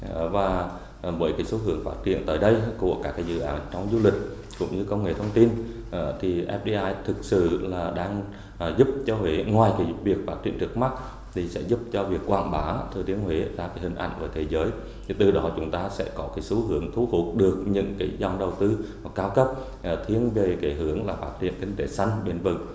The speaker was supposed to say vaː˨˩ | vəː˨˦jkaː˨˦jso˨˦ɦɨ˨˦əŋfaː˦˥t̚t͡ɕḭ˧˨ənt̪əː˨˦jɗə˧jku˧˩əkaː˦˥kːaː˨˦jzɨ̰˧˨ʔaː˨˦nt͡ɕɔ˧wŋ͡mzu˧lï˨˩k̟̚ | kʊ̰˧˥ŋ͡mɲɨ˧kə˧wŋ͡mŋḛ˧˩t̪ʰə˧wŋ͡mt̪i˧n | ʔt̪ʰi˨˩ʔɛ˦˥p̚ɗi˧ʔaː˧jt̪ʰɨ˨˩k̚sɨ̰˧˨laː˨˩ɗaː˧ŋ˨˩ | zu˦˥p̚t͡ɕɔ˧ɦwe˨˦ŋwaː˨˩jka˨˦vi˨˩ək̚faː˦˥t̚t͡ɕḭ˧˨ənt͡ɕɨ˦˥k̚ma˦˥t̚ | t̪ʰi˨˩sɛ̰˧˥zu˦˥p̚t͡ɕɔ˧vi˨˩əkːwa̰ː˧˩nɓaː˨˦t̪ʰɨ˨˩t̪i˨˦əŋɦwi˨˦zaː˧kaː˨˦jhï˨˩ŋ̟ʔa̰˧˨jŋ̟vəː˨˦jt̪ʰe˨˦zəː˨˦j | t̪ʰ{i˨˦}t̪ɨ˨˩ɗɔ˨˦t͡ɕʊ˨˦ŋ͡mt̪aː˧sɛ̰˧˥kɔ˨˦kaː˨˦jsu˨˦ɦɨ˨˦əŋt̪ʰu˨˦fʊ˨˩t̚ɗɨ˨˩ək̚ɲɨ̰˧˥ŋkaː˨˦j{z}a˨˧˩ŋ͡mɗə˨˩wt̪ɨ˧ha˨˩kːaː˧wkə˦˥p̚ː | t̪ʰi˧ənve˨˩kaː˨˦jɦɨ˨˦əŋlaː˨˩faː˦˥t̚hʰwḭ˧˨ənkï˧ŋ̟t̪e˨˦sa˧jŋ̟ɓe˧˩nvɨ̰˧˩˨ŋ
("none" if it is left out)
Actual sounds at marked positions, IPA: i˨˩, z

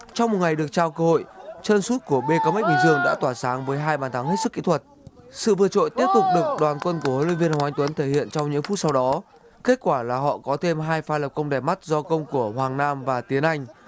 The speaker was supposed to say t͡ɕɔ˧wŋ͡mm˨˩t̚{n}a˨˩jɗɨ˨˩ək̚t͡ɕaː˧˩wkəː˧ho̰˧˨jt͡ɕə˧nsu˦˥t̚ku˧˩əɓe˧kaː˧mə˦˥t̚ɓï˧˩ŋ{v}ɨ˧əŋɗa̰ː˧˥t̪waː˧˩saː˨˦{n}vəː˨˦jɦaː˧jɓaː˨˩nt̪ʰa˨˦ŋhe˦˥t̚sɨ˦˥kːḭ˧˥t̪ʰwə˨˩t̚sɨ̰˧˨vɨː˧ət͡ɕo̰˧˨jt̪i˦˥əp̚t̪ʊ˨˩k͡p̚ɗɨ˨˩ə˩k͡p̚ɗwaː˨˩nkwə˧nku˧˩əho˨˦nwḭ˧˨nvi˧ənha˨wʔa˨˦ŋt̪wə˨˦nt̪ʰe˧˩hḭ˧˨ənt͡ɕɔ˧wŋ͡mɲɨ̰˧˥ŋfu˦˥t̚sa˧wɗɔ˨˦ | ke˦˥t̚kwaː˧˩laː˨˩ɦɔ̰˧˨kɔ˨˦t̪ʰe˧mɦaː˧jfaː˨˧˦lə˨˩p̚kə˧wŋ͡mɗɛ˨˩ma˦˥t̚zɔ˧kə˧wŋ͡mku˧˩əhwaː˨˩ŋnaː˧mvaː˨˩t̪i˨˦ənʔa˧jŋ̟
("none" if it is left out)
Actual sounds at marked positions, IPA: ŋ, z, ŋ

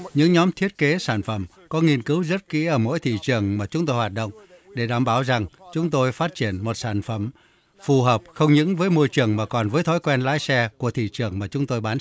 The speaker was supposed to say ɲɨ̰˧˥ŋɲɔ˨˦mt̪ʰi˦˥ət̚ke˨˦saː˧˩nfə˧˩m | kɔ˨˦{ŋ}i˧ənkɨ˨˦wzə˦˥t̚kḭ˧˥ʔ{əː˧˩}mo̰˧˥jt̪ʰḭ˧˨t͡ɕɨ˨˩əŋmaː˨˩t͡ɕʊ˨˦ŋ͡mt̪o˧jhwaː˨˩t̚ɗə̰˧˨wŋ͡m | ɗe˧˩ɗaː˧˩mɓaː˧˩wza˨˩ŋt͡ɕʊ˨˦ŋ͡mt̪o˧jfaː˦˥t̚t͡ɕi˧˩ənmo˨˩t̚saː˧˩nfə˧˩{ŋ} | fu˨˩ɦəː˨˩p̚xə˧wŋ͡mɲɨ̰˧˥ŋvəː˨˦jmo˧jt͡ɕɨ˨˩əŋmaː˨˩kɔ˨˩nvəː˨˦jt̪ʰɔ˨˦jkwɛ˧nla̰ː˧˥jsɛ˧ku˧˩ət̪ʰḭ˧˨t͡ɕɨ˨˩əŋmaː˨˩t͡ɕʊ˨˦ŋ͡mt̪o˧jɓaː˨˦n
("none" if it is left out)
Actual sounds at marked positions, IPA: ŋ, əː˧˩, m

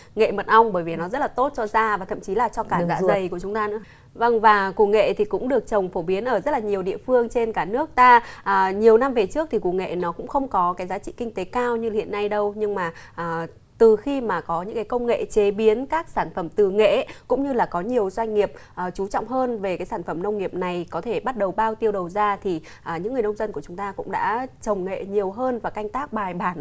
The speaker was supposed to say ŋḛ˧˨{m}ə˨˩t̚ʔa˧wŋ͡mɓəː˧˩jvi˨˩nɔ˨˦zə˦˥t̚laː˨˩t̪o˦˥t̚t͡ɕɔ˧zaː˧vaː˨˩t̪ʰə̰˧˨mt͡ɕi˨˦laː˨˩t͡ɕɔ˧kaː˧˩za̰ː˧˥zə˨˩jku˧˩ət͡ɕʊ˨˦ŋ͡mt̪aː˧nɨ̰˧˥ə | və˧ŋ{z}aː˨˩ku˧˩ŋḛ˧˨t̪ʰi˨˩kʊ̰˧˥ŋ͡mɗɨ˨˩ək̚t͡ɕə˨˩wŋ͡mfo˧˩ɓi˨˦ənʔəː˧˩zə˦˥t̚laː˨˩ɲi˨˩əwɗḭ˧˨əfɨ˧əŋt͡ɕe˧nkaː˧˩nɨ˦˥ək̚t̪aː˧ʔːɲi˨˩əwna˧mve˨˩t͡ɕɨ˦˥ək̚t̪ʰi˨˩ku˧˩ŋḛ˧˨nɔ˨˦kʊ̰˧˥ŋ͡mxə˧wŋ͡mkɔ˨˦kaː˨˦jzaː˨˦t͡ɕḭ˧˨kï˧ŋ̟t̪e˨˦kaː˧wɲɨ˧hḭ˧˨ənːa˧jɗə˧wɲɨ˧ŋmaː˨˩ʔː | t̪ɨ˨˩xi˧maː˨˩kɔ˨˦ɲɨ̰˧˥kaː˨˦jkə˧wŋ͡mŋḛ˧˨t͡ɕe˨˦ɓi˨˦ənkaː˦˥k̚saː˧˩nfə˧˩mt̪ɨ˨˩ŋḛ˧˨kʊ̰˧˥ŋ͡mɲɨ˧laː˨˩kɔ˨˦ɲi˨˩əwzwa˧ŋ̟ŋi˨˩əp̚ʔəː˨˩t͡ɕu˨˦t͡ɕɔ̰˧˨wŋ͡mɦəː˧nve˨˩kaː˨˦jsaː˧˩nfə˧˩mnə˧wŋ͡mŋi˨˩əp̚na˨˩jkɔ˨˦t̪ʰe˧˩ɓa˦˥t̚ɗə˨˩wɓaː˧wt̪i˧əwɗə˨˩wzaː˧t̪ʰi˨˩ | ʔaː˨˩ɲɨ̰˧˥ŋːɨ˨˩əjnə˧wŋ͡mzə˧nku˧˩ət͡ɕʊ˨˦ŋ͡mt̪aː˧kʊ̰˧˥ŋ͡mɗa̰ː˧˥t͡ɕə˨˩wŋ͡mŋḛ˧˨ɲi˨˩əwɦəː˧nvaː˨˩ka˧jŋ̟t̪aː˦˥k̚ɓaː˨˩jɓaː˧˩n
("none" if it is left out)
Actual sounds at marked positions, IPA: m, v

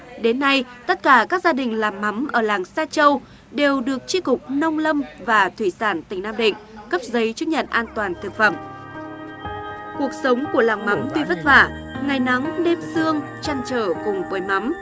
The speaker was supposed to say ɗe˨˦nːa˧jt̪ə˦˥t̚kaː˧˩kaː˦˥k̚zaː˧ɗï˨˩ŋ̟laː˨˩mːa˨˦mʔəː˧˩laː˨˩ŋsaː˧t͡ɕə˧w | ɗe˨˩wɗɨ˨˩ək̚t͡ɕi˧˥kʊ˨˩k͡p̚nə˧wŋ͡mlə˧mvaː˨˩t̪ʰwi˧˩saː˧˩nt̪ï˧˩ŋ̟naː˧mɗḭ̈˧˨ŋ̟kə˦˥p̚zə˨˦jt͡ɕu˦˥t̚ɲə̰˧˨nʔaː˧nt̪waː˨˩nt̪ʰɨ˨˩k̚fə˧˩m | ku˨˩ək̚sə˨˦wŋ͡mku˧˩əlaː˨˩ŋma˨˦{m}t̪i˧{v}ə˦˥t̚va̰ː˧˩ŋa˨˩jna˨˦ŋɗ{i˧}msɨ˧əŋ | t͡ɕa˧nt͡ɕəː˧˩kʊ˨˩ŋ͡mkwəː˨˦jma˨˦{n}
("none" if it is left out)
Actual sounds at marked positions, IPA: m, v, e˧, m

